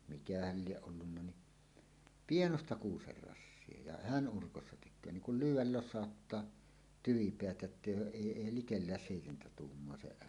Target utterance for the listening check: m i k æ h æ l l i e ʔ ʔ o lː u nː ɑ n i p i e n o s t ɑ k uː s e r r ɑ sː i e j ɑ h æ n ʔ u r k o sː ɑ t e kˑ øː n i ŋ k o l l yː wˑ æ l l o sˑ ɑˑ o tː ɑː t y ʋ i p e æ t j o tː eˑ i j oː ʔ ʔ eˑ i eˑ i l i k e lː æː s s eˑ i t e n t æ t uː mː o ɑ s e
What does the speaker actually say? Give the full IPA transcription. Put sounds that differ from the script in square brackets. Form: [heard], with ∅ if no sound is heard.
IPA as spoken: m i k æ h æ l l i e ʔ ʔ o lː u nː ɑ n i p i e n o s t ɑ k uː s e r r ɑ sː i e j ɑ h æ n ʔ u r k o sː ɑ t e kˑ øː n i ŋ k [u] l l yː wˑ æ l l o sˑ ɑˑ o tː ɑː t y ʋ i p e æ t j o tː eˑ i j oː ʔ ʔ eˑ i eˑ i l i k e lː æː s s eˑ i t e n t æ t uː mː o ɑ s e